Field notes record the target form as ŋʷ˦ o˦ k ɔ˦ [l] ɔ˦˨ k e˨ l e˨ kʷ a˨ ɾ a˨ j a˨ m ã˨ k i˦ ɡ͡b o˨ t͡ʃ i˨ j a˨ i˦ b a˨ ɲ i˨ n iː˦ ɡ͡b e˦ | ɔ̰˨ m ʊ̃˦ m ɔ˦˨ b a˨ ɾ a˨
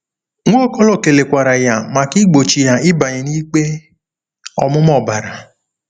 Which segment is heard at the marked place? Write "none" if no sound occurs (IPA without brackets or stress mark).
l